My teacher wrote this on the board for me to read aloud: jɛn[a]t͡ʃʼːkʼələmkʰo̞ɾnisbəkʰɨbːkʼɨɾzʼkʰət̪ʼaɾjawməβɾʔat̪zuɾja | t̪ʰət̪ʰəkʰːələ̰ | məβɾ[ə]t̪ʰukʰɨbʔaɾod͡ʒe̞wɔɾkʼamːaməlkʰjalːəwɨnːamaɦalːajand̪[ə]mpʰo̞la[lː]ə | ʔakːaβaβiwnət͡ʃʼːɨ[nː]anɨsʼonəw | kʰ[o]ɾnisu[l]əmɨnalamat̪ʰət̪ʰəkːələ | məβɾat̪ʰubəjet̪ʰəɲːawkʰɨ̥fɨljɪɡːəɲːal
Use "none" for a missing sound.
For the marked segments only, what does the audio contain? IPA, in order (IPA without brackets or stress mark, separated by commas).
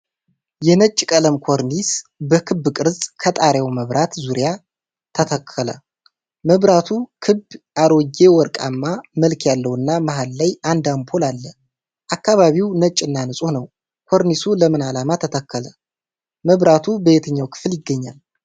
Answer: ə, a, a, lː, nː, o, l